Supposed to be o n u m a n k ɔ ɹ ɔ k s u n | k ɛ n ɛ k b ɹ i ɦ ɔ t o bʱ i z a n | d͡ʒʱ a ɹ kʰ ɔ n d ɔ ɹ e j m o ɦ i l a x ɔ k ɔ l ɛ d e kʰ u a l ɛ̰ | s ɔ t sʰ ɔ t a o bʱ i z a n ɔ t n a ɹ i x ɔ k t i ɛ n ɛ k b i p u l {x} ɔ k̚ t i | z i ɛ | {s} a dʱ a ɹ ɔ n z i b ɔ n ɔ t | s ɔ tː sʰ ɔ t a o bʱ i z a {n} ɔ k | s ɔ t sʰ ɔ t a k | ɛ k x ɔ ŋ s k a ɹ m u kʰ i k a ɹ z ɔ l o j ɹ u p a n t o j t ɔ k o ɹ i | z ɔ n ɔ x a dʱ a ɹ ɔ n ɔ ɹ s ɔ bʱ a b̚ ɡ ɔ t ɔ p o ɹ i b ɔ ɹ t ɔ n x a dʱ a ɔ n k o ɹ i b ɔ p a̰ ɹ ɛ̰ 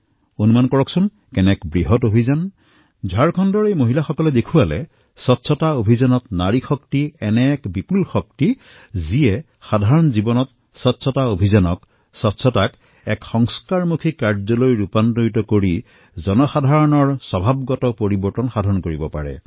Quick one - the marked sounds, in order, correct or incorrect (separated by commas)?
correct, incorrect, correct